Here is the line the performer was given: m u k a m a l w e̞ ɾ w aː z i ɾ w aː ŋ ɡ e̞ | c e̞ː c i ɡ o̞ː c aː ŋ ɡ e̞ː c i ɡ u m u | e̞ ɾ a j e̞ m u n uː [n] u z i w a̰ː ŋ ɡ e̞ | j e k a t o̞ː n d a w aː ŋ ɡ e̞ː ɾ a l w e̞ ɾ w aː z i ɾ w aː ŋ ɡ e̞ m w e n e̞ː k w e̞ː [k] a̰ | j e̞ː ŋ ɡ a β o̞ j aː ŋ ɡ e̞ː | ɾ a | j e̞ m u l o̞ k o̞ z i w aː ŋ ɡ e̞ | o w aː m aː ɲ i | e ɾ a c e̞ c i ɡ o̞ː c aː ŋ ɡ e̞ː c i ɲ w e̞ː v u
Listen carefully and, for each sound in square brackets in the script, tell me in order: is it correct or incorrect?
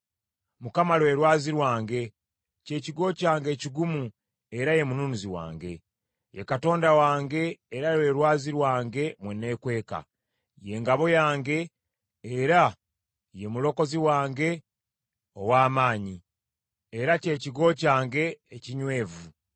correct, correct

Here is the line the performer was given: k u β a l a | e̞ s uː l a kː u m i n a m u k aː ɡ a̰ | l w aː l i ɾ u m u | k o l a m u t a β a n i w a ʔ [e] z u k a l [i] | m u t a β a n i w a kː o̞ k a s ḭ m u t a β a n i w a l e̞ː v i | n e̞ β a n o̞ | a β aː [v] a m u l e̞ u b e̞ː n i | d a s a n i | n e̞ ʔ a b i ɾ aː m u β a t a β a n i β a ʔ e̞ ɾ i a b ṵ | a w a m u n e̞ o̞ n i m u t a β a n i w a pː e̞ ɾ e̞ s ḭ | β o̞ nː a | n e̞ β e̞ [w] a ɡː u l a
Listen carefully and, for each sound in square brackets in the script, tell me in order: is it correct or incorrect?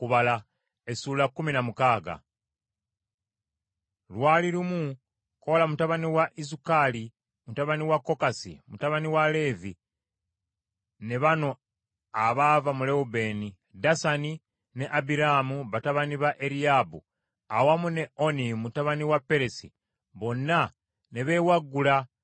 incorrect, correct, correct, correct

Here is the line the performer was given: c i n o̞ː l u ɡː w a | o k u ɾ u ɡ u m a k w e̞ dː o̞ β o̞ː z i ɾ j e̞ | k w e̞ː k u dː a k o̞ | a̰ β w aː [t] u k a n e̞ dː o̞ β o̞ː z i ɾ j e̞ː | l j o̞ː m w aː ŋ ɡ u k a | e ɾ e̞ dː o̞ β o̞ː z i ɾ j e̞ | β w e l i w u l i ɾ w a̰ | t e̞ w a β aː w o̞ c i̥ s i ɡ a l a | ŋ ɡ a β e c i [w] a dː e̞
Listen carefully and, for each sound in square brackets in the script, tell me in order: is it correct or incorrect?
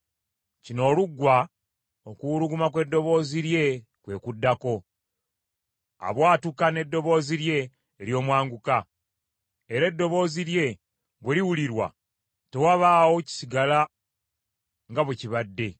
correct, incorrect

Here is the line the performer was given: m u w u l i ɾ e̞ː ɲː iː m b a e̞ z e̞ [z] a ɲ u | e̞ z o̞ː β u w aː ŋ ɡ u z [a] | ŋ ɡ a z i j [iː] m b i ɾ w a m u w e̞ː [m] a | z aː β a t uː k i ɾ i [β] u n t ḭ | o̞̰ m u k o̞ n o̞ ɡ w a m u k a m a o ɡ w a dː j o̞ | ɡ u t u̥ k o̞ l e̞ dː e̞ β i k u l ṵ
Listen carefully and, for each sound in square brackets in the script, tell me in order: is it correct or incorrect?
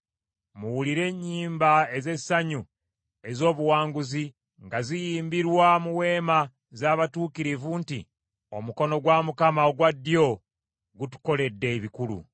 incorrect, incorrect, correct, correct, incorrect

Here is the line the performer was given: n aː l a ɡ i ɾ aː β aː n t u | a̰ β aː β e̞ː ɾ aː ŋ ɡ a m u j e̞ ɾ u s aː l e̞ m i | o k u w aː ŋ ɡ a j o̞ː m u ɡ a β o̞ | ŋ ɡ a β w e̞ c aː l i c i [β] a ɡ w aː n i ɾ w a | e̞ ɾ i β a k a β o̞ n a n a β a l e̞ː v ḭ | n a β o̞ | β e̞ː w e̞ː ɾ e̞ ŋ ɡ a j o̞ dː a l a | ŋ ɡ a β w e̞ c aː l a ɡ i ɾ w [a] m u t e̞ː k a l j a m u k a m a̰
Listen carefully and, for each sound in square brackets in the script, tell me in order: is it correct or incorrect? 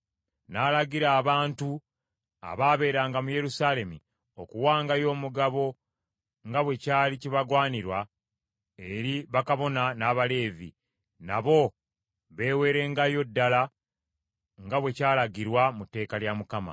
correct, correct

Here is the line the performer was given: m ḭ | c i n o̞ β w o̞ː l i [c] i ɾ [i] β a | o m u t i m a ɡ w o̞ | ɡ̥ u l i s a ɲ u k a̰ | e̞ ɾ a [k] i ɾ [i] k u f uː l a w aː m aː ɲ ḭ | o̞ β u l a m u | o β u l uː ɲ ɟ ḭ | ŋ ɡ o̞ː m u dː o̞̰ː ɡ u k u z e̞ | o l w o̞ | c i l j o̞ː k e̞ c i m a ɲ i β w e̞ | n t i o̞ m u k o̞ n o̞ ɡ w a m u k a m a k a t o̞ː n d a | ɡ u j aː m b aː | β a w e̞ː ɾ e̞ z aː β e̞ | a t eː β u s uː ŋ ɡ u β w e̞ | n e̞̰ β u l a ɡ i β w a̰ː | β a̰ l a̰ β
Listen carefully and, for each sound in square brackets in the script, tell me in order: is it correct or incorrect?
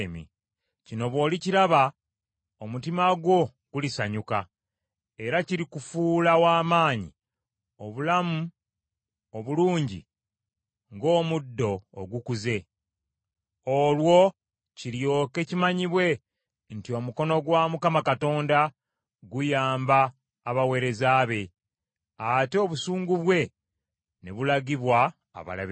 correct, incorrect, incorrect, correct

